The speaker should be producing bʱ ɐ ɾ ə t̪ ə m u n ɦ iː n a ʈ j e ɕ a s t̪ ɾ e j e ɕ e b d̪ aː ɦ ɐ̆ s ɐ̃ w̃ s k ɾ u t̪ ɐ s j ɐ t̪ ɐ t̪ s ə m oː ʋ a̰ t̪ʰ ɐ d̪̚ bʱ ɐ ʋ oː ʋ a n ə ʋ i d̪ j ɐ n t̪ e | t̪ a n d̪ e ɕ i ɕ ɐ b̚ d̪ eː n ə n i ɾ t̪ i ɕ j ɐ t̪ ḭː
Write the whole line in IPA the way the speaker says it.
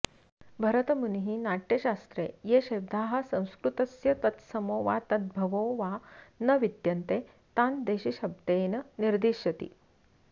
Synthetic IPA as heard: bʱ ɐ ɾ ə t̪ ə m u n ɦ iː n a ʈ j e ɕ a s t̪ ɾ e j e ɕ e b d̪ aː ɦ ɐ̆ s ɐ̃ w̃ s k ɾ u t̪ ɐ s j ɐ t̪ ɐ t̪ s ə m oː ʋ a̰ t̪ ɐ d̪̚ bʱ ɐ ʋ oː ʋ a n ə ʋ i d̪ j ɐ n t̪ e | t̪ a n d̪ e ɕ i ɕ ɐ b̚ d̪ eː n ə n i ɾ d̪ i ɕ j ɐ t̪ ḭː